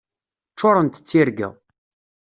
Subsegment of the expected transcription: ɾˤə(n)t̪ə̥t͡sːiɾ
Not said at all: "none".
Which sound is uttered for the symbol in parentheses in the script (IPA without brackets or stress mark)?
n